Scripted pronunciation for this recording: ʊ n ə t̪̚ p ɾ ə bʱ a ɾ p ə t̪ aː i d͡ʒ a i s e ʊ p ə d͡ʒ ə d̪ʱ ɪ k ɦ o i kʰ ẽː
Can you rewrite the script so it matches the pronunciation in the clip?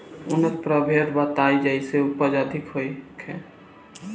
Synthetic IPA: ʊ n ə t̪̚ p ɾ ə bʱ e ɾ b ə t̪ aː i d͡ʒ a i s e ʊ p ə d͡ʒ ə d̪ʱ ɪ k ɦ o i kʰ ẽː